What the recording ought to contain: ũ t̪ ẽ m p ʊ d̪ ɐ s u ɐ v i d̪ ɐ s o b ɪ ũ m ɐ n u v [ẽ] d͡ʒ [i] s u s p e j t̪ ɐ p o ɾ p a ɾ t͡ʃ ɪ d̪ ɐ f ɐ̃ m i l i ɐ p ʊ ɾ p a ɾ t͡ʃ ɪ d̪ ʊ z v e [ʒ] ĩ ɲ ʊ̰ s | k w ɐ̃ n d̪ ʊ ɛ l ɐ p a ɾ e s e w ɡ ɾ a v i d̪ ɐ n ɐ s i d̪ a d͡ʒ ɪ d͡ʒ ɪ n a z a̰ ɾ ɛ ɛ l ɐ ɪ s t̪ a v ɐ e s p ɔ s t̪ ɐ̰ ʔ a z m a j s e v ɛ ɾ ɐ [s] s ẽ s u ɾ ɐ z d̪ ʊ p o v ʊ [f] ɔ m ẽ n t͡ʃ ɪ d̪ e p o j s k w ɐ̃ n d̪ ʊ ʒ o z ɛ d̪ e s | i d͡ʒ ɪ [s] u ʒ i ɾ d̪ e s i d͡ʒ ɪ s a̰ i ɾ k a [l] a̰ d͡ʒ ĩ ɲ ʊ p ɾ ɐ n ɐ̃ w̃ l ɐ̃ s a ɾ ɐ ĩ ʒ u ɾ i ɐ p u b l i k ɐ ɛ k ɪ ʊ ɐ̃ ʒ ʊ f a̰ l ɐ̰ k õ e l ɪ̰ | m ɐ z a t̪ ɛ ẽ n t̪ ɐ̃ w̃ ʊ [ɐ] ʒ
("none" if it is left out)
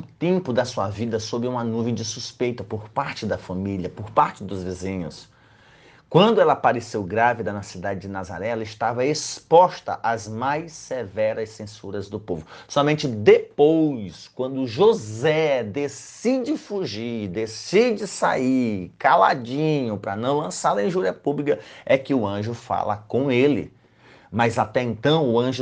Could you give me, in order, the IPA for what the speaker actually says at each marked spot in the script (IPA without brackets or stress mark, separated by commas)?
ẽ, ɪ, z, s, s, f, l, ɐ̃